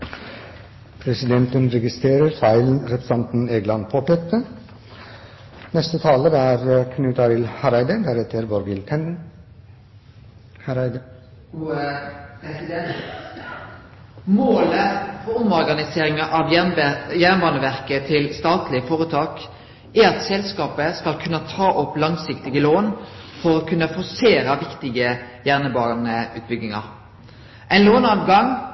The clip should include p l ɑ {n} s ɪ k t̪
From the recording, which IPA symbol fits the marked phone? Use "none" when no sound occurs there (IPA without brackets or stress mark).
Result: ŋ